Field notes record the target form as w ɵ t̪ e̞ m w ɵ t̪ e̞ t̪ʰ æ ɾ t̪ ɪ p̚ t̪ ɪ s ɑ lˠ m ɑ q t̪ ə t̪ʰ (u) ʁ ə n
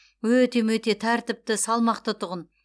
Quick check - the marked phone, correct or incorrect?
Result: incorrect